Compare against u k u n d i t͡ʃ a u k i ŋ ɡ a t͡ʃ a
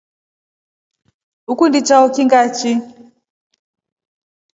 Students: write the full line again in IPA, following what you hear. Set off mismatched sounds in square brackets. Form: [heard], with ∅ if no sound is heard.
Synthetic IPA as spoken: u k u n d i t͡ʃ a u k i ŋ ɡ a t͡ʃ [i]